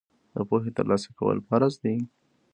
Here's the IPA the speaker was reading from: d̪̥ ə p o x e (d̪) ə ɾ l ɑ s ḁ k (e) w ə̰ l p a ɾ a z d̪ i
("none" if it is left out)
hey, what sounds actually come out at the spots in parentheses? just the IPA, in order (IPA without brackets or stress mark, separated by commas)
t̪, a